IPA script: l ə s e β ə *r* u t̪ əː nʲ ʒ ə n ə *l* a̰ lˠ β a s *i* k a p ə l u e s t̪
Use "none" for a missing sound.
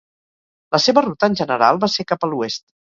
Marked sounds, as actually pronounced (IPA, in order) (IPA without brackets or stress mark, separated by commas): r, ɾ, e